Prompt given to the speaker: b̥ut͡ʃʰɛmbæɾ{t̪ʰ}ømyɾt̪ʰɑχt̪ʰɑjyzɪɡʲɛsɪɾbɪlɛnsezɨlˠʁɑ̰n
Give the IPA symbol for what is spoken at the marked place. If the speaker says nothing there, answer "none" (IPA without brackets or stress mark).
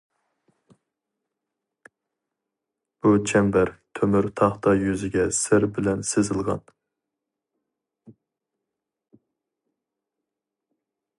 t̪ʰ